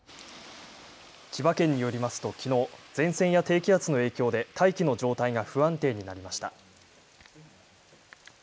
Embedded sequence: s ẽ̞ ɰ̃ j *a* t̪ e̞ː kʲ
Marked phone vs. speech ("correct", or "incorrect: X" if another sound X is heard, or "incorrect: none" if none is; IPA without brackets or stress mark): correct